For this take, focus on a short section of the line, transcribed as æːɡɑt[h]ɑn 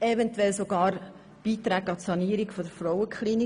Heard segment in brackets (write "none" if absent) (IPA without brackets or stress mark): s